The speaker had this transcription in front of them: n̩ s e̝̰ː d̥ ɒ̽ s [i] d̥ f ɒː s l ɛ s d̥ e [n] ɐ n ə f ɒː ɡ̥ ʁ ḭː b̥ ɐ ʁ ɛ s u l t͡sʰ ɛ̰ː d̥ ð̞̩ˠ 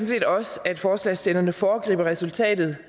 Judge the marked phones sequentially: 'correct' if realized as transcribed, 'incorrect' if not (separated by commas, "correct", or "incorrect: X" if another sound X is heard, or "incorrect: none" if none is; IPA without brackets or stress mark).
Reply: incorrect: æ, correct